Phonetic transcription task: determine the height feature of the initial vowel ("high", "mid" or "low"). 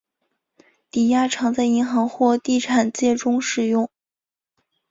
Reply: high